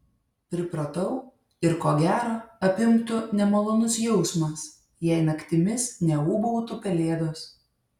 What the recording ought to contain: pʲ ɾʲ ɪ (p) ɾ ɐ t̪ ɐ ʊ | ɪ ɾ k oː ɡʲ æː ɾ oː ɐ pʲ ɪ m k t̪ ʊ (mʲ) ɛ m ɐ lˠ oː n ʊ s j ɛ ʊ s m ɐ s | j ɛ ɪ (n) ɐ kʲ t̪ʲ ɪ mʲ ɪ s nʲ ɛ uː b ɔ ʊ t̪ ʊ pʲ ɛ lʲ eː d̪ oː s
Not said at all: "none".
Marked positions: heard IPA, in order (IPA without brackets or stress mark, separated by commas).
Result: p, nʲ, n